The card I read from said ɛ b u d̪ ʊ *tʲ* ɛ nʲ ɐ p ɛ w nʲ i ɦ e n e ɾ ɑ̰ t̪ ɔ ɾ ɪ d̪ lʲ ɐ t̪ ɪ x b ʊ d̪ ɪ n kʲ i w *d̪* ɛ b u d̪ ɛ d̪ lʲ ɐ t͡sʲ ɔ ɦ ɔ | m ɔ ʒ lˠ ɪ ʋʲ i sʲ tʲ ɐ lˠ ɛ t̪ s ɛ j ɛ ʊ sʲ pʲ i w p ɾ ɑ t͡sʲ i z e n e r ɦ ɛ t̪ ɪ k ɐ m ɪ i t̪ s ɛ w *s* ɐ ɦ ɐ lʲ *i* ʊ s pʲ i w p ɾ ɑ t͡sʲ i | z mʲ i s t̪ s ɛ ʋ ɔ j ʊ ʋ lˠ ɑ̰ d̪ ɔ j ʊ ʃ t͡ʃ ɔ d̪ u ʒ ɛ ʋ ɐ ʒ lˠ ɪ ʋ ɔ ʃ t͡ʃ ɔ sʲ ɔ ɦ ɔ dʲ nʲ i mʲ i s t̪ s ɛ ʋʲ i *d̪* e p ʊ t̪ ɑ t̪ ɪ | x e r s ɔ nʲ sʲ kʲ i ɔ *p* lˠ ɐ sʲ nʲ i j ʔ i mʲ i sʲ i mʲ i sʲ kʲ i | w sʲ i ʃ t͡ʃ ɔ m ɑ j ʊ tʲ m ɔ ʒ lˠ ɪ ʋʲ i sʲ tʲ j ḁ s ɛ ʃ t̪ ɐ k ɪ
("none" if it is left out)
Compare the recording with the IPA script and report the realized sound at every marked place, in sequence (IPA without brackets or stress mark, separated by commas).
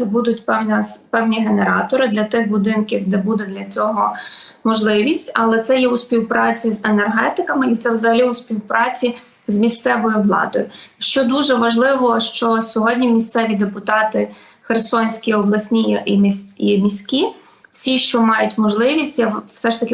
tʲ, d̪, z, i, d̪, b